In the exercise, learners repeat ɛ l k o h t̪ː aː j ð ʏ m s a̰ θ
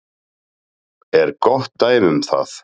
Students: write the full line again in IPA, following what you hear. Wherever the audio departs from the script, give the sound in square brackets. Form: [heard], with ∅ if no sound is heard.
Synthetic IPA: ɛ [ɾ] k [ɔ] h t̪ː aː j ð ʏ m [θ] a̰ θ